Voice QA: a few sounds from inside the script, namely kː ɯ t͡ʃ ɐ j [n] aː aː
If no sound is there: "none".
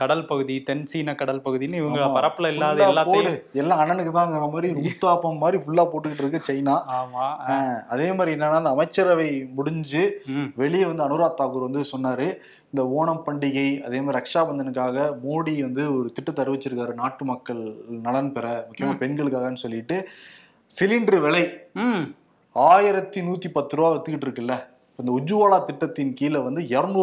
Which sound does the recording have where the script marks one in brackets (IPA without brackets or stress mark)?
n